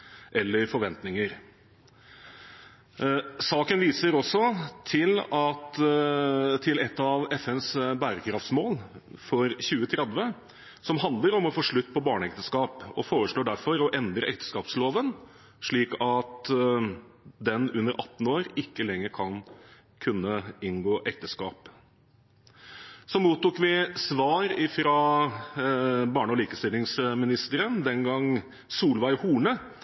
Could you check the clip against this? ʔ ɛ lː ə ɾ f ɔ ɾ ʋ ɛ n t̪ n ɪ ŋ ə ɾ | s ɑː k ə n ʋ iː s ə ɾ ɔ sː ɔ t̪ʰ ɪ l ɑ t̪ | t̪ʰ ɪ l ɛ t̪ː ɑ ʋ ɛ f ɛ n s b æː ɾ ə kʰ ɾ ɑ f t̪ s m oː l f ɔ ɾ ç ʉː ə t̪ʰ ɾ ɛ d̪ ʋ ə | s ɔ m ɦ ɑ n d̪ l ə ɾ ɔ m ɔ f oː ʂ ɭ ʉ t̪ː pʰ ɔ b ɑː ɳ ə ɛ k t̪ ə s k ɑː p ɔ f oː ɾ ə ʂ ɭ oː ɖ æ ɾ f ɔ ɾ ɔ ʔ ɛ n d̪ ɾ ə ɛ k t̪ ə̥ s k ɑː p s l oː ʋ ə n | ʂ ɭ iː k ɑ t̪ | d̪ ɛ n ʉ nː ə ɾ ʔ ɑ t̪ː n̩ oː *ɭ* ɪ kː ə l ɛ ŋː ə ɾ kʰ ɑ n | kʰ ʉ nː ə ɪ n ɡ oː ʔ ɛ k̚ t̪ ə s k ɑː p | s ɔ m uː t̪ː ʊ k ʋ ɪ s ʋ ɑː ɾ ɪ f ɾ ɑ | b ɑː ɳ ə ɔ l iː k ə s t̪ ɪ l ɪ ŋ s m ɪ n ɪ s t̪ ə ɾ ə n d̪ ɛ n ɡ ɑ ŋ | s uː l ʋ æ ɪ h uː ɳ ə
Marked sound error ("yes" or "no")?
yes